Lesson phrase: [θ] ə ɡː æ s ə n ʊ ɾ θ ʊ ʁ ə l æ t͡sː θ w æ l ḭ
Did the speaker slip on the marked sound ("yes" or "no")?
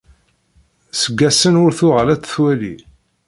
yes